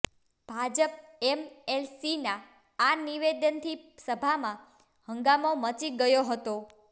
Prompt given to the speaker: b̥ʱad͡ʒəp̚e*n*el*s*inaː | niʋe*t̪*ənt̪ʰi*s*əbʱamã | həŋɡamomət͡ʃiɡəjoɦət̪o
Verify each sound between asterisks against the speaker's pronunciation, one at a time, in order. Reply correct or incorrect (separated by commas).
incorrect, correct, incorrect, correct